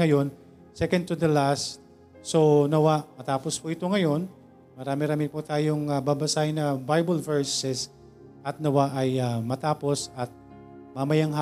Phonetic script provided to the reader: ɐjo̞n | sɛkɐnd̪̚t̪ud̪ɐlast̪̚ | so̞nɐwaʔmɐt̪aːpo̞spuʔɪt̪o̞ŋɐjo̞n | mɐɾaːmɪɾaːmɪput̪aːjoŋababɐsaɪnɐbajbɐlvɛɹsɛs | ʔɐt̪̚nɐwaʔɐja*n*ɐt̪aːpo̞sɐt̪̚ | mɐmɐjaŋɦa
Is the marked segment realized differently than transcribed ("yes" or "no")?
yes